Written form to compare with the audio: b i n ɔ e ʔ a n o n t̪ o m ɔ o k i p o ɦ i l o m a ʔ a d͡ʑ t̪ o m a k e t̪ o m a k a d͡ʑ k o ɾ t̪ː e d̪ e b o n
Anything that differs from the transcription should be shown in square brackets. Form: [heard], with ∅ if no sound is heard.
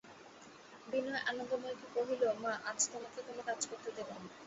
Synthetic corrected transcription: b i n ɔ e ʔ a n o n [d̪] o m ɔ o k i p o ɦ i l o m a ʔ a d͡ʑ t̪ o m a k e t̪ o m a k a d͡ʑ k o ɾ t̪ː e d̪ e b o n